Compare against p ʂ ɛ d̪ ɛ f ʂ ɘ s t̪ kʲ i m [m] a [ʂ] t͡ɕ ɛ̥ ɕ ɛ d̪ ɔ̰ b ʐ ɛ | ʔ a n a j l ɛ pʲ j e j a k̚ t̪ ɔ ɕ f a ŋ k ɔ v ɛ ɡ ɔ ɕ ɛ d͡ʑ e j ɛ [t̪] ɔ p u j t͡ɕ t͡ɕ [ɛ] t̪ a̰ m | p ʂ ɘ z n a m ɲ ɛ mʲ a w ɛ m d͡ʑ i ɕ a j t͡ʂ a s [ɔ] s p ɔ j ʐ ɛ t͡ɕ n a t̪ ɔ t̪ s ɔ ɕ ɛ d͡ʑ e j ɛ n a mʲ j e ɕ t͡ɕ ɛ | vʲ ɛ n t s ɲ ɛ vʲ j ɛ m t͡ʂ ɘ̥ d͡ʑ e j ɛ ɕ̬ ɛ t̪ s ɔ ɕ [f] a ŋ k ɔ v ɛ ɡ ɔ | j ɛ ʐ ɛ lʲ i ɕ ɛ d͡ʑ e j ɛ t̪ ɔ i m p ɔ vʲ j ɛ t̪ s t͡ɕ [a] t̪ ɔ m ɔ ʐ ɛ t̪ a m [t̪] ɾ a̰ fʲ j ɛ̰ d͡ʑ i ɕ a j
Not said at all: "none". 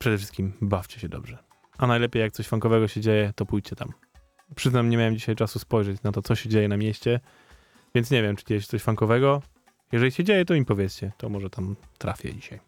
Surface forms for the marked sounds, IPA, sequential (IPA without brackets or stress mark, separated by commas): b, f, t̪, ɛ, u, f, ɛ, t̪